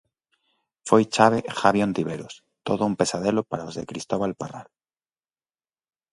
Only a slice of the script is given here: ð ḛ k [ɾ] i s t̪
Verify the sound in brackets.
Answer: correct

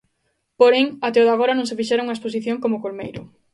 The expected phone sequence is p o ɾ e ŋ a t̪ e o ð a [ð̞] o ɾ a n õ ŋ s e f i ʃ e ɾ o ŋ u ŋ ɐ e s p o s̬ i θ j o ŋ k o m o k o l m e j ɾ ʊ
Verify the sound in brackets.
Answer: incorrect: ɣ̞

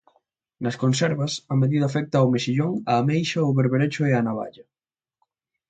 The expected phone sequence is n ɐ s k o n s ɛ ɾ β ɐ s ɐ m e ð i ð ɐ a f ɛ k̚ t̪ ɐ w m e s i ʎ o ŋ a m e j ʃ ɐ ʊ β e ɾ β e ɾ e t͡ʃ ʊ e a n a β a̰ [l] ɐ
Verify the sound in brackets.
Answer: incorrect: ʎ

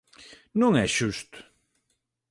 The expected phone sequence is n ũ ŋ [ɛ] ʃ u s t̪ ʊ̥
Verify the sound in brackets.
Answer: correct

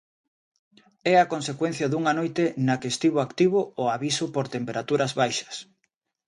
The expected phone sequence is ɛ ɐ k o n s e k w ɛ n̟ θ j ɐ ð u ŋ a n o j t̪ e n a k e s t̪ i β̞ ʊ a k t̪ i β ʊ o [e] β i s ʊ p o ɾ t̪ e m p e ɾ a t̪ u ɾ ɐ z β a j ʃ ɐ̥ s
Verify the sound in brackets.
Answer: incorrect: a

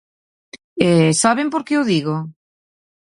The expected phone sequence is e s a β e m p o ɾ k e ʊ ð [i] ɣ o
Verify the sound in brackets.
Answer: correct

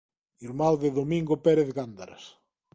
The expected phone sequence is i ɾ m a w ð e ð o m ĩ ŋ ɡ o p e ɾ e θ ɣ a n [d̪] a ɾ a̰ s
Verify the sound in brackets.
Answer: correct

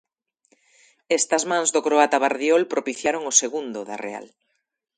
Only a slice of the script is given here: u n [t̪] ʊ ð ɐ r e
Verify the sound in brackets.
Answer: incorrect: d̪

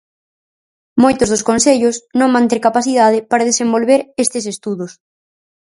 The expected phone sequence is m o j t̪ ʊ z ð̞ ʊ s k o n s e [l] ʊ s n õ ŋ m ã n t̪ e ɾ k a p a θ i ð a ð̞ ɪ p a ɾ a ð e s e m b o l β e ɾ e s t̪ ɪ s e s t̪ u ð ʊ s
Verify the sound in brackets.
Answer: incorrect: ʎ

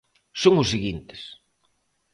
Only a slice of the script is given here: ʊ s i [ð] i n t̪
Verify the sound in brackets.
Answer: incorrect: ɣ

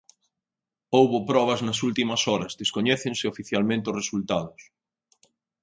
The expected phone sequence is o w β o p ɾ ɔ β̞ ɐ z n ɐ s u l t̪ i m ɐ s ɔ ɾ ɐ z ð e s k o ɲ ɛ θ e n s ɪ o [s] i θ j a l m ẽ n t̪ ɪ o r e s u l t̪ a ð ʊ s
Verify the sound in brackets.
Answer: incorrect: f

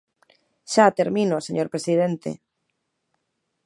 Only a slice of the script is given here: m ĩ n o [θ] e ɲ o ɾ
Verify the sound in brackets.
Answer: incorrect: s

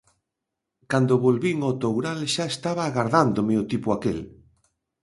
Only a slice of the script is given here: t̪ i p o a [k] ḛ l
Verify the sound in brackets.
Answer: correct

